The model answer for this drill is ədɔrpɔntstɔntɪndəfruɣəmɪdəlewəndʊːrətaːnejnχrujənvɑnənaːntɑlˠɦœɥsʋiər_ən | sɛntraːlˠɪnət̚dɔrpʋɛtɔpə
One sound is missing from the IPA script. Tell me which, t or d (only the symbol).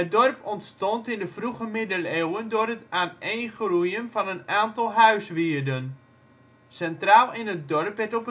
d